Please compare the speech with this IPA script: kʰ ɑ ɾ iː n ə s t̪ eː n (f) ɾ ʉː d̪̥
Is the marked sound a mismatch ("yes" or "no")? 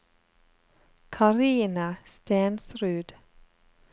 yes